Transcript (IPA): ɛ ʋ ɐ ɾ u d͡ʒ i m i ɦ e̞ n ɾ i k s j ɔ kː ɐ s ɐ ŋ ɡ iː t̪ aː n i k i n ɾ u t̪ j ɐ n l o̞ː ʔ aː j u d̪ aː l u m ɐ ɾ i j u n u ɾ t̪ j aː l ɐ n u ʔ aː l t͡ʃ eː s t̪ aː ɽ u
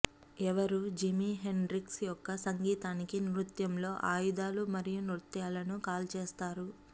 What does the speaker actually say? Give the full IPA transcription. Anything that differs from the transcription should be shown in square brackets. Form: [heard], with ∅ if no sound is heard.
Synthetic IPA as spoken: ɛ ʋ ɐ ɾ u d͡ʒ i m i ɦ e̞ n ɾ i k s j ɔ kː ɐ s ɐ ŋ ɡ iː t̪ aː n i k i n ɾ u t̪ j ɐ [m] l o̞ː ʔ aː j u d̪ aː l u m ɐ ɾ i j u n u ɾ t̪ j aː l ɐ n u [k] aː l t͡ʃ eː s t̪ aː [ɾ] u